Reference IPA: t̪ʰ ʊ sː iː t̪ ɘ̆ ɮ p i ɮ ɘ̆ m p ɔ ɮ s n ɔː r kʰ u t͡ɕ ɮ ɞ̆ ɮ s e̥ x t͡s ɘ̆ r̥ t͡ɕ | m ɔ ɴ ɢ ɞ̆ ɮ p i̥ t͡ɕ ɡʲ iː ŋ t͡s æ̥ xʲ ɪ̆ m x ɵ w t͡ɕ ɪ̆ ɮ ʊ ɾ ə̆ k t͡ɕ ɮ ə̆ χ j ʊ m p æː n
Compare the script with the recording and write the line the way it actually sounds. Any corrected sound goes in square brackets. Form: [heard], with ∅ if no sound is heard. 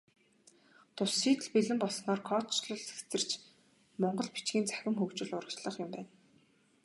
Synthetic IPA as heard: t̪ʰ ʊ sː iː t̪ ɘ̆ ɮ p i ɮ ɘ̆ m p ɔ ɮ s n ɔː r kʰ [ɔ] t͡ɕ ɮ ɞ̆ ɮ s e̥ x t͡s ɘ̆ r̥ t͡ɕ | m ɔ ɴ ɢ ɞ̆ ɮ p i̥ t͡ɕ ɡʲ iː [n] t͡s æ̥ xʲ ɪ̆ m x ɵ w t͡ɕ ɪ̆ ɮ ʊ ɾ ə̆ k t͡ɕ ɮ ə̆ χ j ʊ m p æː n

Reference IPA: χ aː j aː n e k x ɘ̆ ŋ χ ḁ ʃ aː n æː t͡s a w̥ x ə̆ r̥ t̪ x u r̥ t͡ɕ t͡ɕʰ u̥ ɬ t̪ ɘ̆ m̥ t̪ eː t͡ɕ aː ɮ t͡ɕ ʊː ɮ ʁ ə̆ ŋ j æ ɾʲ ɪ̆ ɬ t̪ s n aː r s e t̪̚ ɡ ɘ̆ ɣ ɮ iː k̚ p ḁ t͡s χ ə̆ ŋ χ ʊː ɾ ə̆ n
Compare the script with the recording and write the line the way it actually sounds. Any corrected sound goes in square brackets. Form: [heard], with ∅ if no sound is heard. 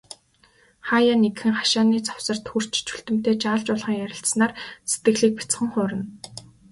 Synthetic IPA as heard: χ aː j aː n e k x ɘ̆ ŋ χ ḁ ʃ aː n [iː] t͡s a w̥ [s] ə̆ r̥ t̪ x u r̥ t͡ɕ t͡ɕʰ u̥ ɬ t̪ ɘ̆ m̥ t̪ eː t͡ɕ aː ɮ t͡ɕ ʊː ɮ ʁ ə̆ ŋ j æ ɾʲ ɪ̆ ɬ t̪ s n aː r s e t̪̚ ɡ ɘ̆ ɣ ɮ iː k̚ p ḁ t͡s χ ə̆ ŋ χ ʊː ɾ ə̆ n

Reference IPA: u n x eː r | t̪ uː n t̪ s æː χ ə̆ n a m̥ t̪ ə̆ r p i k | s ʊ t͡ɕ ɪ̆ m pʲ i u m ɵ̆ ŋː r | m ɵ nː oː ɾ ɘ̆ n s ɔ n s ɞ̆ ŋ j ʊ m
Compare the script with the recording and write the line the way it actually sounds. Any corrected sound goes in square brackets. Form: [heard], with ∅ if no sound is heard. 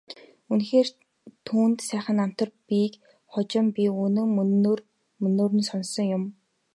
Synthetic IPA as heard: u n x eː r | [t̪ʰ] uː n t̪ s æː χ ə̆ n a m̥ t̪ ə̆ r p i k | [χ] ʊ t͡ɕ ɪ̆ m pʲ i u [n] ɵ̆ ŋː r | m ɵ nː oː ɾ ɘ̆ n s ɔ n s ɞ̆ ŋ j ʊ m

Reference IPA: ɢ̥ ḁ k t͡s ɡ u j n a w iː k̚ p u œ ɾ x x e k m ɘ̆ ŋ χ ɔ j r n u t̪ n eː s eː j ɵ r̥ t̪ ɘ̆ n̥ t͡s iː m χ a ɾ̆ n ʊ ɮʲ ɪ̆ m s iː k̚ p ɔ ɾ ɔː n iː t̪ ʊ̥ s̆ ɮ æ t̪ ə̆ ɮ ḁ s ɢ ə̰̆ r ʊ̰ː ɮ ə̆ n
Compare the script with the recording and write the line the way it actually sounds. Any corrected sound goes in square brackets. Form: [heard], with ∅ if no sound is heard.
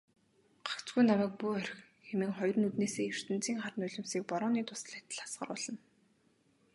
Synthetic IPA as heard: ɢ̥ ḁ k t͡s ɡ u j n a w [æː] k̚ p u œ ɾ x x e [∅] m ɘ̆ ŋ χ ɔ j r n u t̪ n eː s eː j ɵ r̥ t̪ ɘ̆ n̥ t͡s iː [ŋ] χ a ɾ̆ n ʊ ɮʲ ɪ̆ m s iː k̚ p ɔ ɾ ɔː n iː t̪ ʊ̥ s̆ ɮ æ t̪ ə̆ ɮ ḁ s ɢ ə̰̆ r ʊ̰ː ɮ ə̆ n

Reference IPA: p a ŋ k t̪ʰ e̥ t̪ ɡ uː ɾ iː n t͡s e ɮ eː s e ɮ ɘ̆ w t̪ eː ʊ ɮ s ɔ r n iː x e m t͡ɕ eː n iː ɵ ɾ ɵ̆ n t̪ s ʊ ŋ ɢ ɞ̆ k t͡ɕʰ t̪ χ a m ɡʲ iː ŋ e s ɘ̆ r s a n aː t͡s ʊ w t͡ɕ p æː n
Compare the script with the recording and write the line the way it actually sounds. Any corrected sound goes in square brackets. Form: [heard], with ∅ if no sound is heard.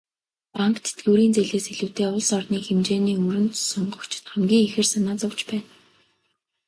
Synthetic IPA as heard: p a ŋ k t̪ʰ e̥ t̪ ɡ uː ɾ iː n t͡s e ɮ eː s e ɮ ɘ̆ w t̪ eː ʊ ɮ s ɔ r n iː x e m t͡ɕ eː n iː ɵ ɾ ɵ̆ n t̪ s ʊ [ɴ] ɢ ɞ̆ k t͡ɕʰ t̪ χ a m ɡʲ iː ŋ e [x] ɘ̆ r s a n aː t͡s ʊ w t͡ɕ p æː n

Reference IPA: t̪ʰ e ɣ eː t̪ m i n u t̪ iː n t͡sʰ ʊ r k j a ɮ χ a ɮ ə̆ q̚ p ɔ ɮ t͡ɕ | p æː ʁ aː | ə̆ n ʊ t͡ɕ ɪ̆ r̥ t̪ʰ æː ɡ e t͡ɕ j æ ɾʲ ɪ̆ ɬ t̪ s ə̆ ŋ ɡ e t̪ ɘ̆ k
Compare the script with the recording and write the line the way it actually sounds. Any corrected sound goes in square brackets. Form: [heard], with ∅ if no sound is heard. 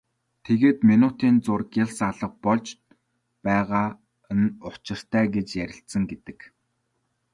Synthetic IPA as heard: t̪ʰ e ɣ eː t̪ m i n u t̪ iː n [t͡s] ʊ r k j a ɮ [s] a ɮ ə̆ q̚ p ɔ ɮ t͡ɕ | p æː ʁ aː | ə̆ n ʊ t͡ɕ ɪ̆ r̥ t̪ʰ æː ɡ e t͡ɕ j æ ɾʲ ɪ̆ ɬ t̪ s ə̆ ŋ ɡ e t̪ ɘ̆ k

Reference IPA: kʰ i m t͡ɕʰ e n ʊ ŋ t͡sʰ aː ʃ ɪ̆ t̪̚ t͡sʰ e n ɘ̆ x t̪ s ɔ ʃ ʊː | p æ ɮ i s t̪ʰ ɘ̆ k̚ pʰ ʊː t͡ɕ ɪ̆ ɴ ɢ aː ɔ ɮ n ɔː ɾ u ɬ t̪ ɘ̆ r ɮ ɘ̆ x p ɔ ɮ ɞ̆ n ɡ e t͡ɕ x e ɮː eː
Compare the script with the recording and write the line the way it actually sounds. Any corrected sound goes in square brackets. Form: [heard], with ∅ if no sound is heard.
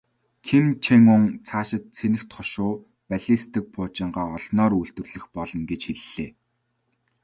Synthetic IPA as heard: kʰ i m t͡ɕʰ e [ŋ] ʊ ŋ t͡sʰ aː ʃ ɪ̆ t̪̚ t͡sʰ e n ɘ̆ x t̪ [χ] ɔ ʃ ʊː | p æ ɮ i s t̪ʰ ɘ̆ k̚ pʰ ʊː t͡ɕ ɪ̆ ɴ ɢ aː ɔ ɮ n ɔː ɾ u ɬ t̪ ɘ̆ r ɮ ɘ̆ x p ɔ ɮ ɞ̆ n ɡ e t͡ɕ x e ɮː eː

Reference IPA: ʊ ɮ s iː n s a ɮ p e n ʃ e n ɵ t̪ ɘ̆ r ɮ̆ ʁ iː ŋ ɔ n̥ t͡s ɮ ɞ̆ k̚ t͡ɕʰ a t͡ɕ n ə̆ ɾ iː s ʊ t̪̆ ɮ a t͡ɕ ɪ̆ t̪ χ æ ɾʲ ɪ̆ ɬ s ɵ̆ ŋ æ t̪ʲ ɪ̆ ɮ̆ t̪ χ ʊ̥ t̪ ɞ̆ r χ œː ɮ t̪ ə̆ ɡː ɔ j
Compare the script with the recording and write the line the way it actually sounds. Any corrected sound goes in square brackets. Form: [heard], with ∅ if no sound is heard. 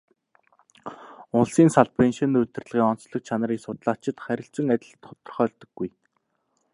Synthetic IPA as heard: ʊ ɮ s iː n s a ɮ p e n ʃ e n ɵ t̪ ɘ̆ r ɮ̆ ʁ iː ŋ ɔ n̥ t͡s ɮ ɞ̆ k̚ t͡ɕʰ a [∅] n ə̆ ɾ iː s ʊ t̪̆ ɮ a t͡ɕ ɪ̆ t̪ χ æ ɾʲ ɪ̆ ɬ [t͡s] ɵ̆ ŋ æ t̪ʲ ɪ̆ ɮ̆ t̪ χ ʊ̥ t̪ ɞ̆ r χ œː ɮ t̪ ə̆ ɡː [u] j

